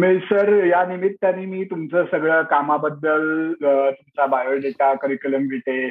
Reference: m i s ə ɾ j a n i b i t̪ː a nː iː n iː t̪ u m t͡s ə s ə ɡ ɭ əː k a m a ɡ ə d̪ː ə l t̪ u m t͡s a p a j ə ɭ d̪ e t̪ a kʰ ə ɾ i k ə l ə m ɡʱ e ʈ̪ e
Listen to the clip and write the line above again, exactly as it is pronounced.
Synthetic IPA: m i s ə ɾ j a n i m i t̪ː a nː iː m iː t̪ u m t͡s ə s ə ɡ ɭ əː k a m a b ə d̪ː ə l t̪ u m t͡s a b a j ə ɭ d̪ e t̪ a k ə ɾ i k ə l ə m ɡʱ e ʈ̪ e